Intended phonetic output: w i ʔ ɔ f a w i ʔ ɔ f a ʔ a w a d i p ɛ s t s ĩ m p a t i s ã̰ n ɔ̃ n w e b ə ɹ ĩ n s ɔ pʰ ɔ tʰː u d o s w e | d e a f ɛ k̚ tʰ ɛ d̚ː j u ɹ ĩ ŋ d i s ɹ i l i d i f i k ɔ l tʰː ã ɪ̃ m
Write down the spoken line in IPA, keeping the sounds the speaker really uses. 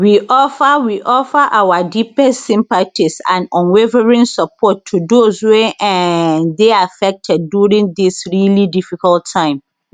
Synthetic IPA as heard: w i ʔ ɔ f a w i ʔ ɔ f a ʔ a w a d i p ɛ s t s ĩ m p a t i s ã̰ n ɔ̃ n w e v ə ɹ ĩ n s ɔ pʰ ɔ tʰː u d o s w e | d e a f ɛ k̚ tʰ ɛ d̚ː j u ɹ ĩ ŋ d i s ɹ i l i d i f i k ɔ l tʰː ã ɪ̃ m